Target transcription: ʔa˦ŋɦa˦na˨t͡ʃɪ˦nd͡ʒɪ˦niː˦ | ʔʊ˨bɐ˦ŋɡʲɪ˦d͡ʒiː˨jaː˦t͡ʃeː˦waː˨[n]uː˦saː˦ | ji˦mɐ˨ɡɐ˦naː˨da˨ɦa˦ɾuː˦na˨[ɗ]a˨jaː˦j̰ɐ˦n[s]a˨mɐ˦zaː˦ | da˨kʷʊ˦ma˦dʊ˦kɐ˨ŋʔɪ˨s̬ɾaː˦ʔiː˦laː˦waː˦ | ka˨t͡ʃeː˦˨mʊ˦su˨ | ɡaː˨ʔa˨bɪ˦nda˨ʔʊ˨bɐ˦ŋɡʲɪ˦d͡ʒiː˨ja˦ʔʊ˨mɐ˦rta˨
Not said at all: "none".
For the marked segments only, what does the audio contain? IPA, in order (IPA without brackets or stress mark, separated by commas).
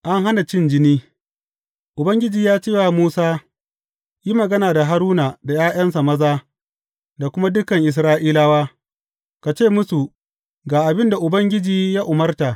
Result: m, d, s